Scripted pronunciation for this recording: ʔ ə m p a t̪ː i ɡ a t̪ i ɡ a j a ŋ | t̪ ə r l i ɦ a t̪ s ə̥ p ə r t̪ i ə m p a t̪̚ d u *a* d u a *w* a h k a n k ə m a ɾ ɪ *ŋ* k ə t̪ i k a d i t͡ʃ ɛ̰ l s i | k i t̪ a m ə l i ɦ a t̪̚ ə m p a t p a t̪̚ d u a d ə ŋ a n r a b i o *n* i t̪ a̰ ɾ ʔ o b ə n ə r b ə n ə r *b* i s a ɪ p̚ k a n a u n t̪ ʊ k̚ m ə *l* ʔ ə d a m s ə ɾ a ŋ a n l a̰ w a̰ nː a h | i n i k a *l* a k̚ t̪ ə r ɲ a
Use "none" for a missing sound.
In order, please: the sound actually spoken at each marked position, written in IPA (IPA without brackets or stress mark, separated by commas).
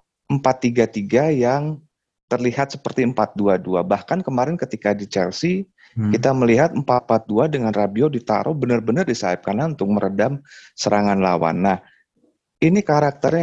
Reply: a, b, n, d, d, ɾ, ɾ